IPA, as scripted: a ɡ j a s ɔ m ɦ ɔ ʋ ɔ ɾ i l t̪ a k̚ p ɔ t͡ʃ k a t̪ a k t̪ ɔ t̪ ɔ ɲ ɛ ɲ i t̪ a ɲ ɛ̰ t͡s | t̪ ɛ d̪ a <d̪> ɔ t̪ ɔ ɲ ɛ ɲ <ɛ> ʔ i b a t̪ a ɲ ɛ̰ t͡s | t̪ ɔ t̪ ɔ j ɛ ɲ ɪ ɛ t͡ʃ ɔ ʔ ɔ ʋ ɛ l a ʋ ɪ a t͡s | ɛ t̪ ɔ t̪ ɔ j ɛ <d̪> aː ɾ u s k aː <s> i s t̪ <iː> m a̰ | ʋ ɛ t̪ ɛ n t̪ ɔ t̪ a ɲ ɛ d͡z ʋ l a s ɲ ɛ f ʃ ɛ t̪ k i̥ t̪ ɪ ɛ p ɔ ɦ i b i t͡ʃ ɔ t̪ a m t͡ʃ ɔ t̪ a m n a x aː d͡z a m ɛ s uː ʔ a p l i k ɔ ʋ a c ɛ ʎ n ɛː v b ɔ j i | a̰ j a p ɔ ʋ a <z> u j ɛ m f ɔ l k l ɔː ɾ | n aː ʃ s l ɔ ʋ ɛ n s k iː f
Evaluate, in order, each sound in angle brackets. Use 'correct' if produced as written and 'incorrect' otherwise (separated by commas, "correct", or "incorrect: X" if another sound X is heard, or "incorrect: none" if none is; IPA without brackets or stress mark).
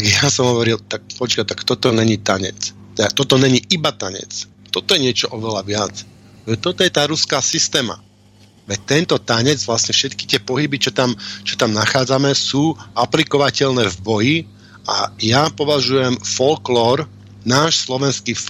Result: incorrect: t̪, incorrect: i, incorrect: t̪, correct, incorrect: ɛː, incorrect: ʒ